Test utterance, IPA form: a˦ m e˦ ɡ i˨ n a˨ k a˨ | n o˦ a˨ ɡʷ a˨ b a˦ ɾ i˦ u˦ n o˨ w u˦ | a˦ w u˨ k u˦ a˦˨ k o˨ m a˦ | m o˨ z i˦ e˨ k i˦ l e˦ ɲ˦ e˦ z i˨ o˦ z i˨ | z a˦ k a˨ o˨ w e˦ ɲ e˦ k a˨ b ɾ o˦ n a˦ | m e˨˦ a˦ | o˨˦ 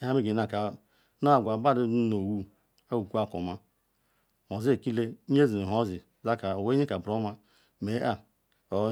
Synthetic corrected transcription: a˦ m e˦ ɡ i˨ n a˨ k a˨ | n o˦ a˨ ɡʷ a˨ b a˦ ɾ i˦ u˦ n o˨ w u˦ | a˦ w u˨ k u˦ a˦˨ k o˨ m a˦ | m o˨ z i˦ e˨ k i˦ l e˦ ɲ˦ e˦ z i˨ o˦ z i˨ | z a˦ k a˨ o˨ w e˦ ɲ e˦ k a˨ b ɾ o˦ m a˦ | m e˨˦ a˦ | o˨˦